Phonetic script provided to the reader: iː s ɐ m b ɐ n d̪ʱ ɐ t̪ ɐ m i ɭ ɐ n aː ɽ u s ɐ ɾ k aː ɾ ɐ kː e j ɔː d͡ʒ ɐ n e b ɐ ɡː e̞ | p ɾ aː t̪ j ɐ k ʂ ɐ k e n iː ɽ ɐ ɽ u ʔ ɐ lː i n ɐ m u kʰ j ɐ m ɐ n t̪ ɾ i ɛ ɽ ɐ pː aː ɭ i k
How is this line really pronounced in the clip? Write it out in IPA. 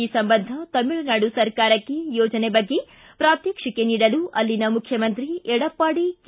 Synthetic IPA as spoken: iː s ɐ m b ɐ n d̪ʱ ɐ t̪ ɐ m i ɭ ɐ n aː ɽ u s ɐ ɾ k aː ɾ ɐ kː e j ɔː d͡ʒ ɐ n e b ɐ ɡː e̞ | p ɾ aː t̪ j ɐ k ʂ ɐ k e n iː ɽ ɐ l u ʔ ɐ lː i n ɐ m u kʰ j ɐ m ɐ n t̪ ɾ i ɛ ɽ ɐ pː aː ɽ i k